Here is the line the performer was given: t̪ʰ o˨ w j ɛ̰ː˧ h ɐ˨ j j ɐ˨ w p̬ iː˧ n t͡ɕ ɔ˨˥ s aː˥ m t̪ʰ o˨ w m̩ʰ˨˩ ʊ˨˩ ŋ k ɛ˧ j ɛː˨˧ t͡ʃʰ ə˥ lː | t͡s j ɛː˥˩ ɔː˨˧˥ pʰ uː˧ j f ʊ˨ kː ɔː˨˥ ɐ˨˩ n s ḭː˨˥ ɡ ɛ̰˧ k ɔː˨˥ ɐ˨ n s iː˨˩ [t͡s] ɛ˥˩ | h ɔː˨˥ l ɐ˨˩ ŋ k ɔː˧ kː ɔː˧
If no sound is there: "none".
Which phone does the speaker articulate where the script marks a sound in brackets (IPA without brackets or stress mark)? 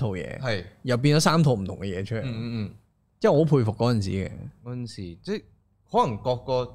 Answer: t͡s